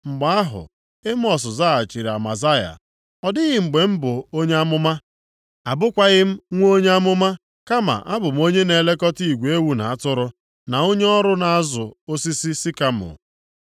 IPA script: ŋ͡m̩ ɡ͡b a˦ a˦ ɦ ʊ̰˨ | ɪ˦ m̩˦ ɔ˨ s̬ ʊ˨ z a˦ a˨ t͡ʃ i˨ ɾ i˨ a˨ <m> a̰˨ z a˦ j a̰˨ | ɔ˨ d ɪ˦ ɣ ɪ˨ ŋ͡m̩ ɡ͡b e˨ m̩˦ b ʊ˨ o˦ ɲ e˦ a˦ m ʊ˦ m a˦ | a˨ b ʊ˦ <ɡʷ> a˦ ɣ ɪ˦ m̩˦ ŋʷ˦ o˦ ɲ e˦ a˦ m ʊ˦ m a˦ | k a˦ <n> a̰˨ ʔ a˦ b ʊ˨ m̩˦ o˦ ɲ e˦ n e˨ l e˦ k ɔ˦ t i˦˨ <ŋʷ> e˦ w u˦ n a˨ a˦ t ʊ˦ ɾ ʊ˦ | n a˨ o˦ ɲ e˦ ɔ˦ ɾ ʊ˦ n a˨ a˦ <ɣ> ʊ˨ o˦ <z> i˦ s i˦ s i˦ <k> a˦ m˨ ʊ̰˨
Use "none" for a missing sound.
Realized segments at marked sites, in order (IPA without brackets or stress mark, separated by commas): m, kʷ, m, ɡʷ, z, s, k